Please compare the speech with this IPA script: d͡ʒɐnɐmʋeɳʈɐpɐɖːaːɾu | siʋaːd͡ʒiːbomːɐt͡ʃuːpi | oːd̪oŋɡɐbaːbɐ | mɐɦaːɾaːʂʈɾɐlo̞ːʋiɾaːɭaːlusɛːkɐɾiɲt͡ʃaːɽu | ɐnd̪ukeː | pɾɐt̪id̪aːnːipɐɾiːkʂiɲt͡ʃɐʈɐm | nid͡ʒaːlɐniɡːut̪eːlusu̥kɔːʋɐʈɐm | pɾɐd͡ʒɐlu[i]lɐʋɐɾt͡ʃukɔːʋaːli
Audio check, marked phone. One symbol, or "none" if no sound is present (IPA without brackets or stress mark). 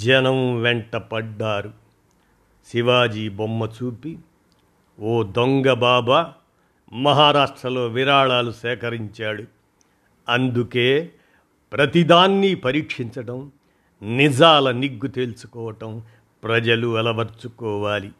ɛ